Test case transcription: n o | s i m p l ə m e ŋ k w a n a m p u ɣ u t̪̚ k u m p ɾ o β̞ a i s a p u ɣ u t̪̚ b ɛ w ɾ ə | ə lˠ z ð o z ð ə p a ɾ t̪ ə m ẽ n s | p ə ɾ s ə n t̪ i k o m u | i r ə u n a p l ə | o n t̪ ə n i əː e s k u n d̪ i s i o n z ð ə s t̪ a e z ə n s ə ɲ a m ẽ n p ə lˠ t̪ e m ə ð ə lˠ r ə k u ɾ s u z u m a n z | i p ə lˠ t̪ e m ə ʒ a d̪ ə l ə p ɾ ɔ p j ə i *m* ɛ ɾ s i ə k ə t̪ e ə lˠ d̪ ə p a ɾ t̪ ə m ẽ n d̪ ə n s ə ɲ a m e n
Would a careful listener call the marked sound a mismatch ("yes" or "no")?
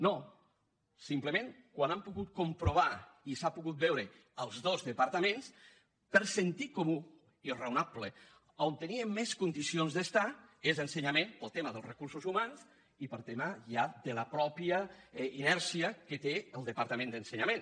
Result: yes